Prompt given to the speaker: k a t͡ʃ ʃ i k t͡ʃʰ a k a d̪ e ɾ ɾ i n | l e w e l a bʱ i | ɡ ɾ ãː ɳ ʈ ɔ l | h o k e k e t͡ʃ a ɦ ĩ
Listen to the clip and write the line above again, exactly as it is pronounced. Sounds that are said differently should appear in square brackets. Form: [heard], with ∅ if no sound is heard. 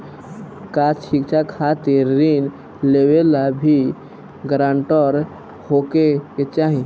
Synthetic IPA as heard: k a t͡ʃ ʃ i k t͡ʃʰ a [kʰ] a [t̪] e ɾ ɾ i n | l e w e l a bʱ i | ɡ ɾ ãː ɳ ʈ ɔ [ɾ] | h o k e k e t͡ʃ a ɦ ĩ

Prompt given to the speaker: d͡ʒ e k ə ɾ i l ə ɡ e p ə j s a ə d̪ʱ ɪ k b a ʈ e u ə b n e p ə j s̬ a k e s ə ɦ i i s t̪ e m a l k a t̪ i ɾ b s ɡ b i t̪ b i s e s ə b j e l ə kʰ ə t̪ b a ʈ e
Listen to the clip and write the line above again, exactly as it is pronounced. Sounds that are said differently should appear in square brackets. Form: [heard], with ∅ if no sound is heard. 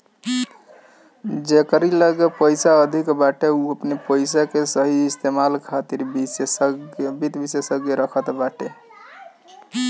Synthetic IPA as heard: d͡ʒ e k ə ɾ i l ə ɡ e p ə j s a ə d̪ʱ [i] k b a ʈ e u ə [p] n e p ə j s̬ a k e s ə ɦ i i s t̪ e m a l [kʰ] a t̪ i ɾ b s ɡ b i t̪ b i s e s ə [ɡ] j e [ɾ] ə kʰ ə t̪ b a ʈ e

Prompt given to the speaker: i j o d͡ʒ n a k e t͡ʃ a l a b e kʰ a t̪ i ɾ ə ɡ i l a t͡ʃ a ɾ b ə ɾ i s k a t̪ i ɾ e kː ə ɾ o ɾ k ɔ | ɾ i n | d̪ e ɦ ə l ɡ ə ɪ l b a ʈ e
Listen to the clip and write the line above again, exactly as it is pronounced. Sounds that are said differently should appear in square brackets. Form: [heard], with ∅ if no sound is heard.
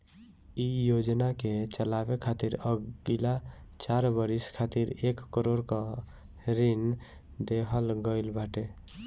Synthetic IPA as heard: i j o d͡ʒ n a k e t͡ʃ [ə] l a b e kʰ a t̪ i ɾ ə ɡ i l a t͡ʃ a ɾ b ə ɾ i s [kʰ] a t̪ i ɾ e kː ə ɾ o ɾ k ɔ | ɾ i n | d̪ e ɦ ə l ɡ ə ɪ l b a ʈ e

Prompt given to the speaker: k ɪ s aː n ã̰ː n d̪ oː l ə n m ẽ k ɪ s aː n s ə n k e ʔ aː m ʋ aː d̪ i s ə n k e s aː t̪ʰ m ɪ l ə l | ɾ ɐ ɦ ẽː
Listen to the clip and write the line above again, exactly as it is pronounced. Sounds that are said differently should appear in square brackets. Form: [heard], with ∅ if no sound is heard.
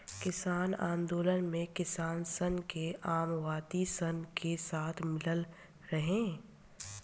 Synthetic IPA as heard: k ɪ s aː n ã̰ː n d̪ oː l ə n m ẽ k ɪ s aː n s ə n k e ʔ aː m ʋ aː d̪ i s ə n k e s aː t̪ʰ m ɪ l ə l | ɾ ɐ ɦ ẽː

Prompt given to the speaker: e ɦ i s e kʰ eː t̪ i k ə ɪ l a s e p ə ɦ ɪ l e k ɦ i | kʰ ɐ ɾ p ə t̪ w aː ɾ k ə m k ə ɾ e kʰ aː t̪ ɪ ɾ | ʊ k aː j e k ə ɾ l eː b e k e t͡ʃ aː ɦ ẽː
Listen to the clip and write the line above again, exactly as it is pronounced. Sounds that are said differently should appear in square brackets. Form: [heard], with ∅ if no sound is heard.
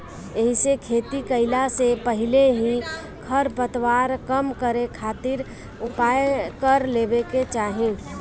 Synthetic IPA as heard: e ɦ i s e kʰ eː t̪ i k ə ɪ l a s e p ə ɦ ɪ l e [∅] ɦ i | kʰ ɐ ɾ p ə t̪ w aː ɾ k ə m k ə ɾ e kʰ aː t̪ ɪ ɾ | ʊ [p] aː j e k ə ɾ l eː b e k e t͡ʃ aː ɦ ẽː

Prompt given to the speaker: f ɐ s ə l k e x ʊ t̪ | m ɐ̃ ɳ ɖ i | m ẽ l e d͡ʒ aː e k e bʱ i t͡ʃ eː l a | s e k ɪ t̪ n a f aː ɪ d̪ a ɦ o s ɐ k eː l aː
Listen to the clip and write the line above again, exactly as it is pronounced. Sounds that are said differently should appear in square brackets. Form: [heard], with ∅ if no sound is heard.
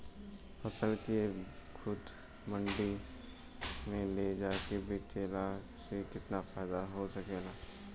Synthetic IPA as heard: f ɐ s ə l k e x ʊ [d̪] | m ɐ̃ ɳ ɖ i | m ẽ l e d͡ʒ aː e k e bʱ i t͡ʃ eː l a | s e k ɪ t̪ n a f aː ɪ d̪ a ɦ o s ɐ k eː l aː

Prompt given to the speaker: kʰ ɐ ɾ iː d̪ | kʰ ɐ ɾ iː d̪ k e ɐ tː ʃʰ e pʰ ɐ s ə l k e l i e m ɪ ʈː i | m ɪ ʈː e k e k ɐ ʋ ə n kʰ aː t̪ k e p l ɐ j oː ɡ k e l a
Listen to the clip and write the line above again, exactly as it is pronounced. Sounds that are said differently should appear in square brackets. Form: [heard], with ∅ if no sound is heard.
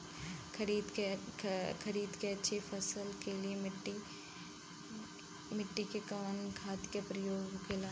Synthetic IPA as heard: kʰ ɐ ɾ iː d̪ | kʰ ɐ ɾ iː d̪ k e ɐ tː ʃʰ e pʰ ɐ s ə l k e l i e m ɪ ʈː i | m ɪ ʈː [i] k e k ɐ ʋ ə n kʰ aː t̪ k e p [ɾ] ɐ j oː ɡ k e l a

